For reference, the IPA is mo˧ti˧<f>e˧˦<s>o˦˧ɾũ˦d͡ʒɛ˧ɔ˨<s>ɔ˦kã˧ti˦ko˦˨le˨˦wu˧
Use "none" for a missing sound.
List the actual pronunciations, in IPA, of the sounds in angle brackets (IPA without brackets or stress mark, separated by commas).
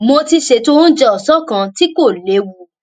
ʃ, t, s